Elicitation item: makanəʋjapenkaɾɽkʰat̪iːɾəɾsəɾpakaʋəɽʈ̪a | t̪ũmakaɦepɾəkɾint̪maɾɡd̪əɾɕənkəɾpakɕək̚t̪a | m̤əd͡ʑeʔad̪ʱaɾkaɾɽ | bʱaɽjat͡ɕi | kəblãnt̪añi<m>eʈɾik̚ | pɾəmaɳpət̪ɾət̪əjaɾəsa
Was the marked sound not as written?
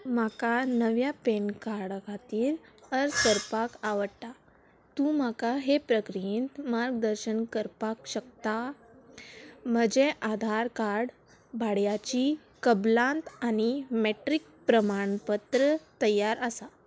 no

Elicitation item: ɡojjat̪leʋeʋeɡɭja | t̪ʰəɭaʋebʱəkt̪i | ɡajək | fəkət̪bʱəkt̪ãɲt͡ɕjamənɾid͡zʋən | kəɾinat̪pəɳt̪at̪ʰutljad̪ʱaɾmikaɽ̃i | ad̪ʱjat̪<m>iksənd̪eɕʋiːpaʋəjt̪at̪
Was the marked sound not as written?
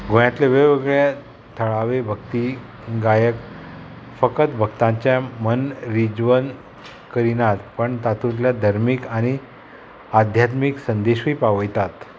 no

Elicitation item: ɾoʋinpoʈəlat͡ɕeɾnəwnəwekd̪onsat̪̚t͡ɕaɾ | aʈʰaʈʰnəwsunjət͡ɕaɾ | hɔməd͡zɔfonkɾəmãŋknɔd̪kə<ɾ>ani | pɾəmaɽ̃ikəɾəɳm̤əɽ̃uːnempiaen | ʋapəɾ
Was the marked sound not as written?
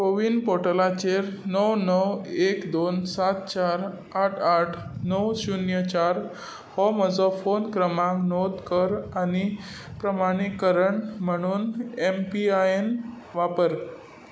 no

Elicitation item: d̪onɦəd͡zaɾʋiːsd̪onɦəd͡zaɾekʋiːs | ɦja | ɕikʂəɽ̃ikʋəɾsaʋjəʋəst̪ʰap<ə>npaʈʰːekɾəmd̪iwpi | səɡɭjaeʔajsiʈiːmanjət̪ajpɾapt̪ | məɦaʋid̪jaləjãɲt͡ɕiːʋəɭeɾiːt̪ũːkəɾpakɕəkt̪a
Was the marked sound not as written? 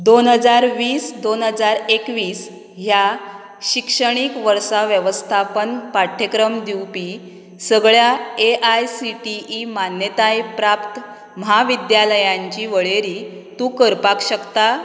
no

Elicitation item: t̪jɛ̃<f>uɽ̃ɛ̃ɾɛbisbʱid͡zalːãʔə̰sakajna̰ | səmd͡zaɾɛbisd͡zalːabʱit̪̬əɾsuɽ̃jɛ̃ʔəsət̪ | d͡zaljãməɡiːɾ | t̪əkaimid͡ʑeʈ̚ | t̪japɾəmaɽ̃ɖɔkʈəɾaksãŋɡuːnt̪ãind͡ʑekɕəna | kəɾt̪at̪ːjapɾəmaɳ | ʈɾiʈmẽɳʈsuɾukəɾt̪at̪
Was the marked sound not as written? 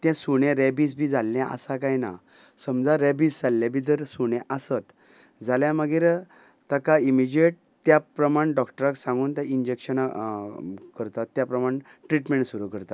yes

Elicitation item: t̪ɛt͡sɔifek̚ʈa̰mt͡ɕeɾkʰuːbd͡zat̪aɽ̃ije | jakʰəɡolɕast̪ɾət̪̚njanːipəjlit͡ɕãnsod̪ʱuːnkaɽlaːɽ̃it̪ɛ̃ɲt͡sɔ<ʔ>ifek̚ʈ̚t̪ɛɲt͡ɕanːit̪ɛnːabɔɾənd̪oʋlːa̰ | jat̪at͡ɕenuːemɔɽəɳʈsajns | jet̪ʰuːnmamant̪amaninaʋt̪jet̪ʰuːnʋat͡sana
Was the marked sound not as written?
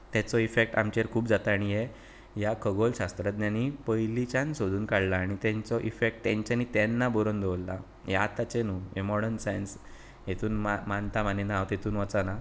no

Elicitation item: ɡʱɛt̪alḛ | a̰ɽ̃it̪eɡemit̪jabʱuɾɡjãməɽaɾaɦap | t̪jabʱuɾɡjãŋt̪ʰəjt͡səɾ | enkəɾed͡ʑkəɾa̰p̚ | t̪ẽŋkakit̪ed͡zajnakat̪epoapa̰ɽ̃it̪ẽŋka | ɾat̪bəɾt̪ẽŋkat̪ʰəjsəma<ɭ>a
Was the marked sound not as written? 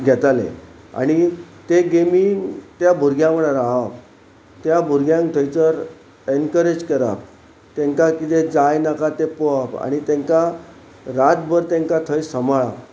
no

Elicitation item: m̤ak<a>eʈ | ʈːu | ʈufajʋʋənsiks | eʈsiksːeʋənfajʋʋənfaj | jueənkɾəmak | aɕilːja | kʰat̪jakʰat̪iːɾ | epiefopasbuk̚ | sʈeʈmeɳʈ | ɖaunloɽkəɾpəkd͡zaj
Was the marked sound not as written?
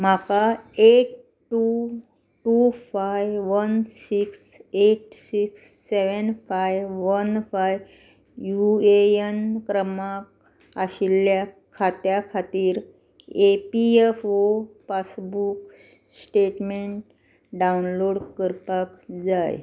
no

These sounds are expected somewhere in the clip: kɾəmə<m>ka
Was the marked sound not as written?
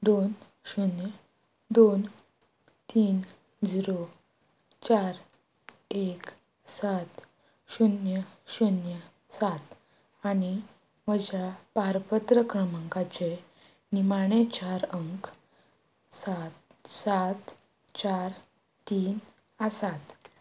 yes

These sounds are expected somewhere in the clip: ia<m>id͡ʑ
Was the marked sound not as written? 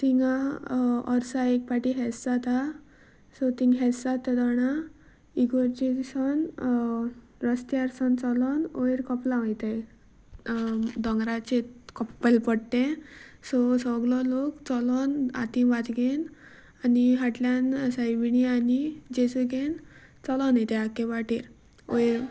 yes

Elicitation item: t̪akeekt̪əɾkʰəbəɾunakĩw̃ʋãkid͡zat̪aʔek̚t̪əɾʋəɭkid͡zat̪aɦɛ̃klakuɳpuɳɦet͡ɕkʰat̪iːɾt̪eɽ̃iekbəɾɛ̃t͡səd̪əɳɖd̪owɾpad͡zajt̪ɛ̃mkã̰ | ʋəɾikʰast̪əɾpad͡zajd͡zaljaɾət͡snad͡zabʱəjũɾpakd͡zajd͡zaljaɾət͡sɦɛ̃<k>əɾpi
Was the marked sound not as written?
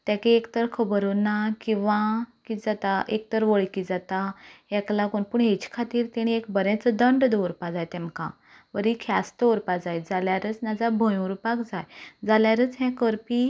no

